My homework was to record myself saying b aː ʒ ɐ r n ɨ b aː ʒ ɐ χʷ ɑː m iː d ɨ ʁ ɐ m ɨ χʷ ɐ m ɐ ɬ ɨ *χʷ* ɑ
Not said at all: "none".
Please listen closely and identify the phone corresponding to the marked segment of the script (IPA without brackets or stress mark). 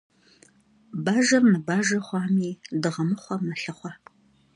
χʷ